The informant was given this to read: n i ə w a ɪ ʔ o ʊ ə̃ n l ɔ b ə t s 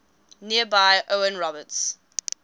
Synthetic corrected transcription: n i ə b a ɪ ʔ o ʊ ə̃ n ɹ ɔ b ə t s